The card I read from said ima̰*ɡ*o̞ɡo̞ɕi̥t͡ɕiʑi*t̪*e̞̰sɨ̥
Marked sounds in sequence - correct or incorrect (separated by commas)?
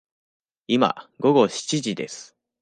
correct, incorrect